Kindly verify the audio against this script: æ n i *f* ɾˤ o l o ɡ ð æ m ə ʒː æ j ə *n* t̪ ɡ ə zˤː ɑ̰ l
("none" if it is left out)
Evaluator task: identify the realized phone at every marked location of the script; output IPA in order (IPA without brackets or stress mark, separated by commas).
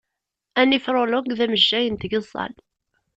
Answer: f, n